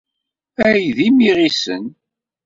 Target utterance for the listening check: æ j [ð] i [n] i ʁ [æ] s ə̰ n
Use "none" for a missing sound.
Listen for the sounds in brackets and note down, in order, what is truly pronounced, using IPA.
ð, m, i

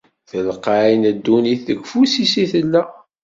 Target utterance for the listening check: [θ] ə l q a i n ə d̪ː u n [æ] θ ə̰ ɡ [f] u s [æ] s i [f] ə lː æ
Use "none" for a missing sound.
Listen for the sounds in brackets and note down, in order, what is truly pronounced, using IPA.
θ, i, f, i, θ

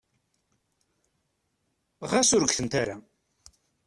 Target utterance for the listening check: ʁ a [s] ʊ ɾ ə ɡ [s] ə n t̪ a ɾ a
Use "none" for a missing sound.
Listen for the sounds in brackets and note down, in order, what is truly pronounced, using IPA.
s, θ

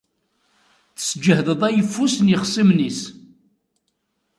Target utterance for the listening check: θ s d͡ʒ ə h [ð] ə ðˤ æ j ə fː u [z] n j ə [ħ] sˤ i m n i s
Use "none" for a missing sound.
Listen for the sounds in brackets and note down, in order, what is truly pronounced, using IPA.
ð, s, χ

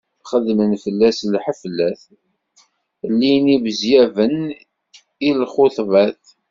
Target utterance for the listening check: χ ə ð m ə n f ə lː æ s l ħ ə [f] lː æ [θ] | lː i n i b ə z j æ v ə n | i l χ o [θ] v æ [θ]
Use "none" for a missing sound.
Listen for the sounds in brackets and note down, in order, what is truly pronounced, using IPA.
f, θ, θ, θ

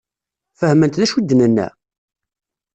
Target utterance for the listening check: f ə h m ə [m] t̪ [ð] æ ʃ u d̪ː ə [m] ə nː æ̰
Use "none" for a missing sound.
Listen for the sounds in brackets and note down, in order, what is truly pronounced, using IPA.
n, ð, n

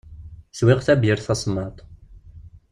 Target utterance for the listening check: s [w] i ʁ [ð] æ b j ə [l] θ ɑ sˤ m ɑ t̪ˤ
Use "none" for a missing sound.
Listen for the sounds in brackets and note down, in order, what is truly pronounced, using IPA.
w, θ, ɾ

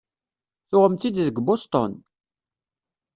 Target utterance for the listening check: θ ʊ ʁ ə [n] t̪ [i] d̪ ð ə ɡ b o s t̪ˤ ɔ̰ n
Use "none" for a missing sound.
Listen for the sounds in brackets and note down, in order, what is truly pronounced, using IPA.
m, i

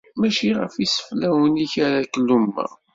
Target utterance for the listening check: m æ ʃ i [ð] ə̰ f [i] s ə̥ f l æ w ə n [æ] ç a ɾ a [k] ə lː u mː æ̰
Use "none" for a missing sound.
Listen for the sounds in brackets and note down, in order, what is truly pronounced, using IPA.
ʁ, i, i, k

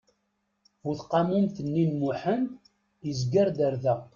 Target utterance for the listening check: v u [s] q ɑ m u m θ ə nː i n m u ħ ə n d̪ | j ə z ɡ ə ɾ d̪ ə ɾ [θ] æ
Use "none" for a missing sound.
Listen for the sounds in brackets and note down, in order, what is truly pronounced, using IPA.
θ, ð

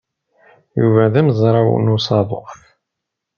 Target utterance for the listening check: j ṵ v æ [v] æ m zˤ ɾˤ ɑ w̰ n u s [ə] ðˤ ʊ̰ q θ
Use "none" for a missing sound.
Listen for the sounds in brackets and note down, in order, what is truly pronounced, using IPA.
ð, ɑ

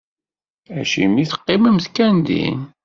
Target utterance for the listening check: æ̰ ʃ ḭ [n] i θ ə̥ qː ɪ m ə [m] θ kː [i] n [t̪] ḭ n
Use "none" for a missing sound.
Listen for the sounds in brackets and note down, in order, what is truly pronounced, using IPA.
m, m, æ, d̪

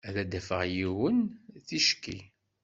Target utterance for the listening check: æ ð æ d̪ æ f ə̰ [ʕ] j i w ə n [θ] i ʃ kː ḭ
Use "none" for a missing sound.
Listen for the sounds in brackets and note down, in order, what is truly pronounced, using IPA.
ʁ, θ

